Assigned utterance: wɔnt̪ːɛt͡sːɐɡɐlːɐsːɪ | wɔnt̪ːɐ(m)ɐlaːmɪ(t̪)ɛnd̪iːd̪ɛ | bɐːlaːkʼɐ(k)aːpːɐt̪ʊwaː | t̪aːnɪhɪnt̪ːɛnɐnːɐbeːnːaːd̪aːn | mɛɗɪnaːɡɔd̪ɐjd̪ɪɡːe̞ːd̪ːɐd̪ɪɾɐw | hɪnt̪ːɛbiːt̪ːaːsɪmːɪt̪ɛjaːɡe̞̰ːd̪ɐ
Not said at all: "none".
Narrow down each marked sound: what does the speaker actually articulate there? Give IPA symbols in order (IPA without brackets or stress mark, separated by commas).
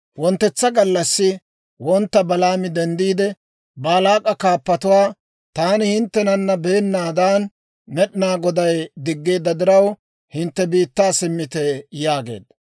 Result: b, d̪, k